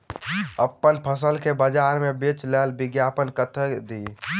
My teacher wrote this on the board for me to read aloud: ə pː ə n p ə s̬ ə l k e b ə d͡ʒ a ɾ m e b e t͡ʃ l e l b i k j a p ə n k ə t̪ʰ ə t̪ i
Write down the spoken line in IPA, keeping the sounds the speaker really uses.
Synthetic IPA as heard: ə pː ə n pʰ ə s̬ ə l k e b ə d͡ʒ a ɾ m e b e t͡ʃ l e l b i ɡ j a p ə n k ə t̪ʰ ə d̪ i